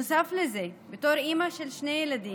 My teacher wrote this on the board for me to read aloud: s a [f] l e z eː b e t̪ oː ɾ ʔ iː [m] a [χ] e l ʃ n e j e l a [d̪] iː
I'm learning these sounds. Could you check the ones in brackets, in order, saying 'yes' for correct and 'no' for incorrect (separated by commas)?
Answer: yes, yes, no, yes